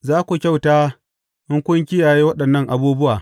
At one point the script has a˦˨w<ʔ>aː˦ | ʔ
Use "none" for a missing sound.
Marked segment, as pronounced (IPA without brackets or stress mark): t